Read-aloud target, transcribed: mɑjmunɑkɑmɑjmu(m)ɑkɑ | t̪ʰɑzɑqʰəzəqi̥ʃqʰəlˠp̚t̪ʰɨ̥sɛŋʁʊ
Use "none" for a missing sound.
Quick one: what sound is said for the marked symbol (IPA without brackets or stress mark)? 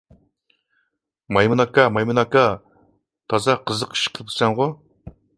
n